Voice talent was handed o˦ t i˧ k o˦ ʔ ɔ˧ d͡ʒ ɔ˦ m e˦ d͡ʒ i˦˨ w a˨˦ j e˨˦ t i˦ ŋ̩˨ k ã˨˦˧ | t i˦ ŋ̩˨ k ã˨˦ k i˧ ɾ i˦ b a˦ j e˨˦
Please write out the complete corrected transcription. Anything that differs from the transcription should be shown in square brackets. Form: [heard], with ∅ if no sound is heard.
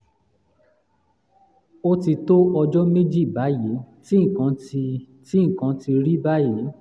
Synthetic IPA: o˦ t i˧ [t] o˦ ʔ ɔ˧ d͡ʒ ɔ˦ m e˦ d͡ʒ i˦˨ [b] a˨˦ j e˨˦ t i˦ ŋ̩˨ k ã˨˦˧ | t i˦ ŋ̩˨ k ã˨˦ [t] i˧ ɾ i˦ b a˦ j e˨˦